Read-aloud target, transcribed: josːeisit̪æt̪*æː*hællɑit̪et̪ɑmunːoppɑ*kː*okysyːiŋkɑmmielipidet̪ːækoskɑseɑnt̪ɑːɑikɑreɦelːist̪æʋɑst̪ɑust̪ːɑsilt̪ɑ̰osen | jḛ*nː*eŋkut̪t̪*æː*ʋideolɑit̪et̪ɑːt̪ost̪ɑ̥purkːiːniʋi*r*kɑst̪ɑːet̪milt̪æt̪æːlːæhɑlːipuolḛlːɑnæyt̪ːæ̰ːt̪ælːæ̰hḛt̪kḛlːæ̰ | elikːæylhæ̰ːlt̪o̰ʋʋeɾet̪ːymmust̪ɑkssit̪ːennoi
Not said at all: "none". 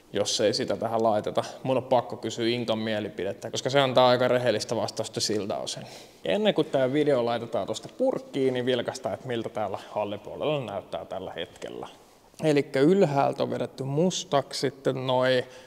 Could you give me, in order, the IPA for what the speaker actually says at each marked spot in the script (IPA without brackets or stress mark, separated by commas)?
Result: æ, kː, nː, æː, l